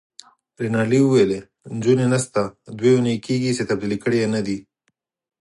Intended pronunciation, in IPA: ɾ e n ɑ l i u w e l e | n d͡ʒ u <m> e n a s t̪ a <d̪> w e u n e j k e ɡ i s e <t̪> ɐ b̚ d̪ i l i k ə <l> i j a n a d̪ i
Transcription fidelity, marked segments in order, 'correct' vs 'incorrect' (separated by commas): incorrect, correct, correct, incorrect